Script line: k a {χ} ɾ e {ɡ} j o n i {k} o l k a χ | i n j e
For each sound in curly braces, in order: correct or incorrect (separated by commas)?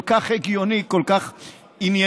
correct, correct, correct